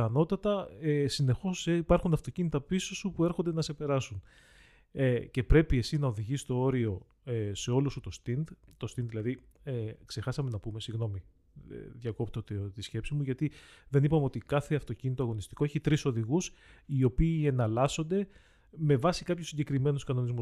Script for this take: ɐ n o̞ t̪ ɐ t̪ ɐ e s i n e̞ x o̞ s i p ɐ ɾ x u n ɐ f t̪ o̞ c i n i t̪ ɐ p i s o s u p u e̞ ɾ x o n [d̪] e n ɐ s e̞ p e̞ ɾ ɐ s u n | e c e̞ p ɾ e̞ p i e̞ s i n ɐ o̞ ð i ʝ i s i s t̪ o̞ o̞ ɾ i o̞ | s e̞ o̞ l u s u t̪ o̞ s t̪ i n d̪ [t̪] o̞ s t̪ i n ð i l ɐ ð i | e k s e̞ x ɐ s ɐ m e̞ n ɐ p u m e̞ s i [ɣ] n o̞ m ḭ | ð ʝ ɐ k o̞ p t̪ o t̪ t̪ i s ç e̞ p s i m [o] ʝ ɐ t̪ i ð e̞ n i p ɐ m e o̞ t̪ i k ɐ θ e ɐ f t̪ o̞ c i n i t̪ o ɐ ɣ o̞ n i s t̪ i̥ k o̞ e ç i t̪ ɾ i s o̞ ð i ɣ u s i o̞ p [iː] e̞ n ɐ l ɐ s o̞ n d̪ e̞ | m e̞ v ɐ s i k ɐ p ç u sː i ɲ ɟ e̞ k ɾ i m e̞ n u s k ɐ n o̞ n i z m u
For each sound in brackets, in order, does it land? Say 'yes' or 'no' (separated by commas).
yes, yes, yes, no, yes